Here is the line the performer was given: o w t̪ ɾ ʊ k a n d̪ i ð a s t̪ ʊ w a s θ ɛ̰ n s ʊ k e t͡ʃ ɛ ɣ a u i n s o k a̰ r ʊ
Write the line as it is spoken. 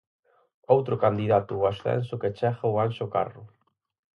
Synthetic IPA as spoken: o w t̪ ɾ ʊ k a n d̪ i ð a t̪ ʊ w a s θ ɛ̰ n s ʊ k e t͡ʃ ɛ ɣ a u a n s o k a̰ r ʊ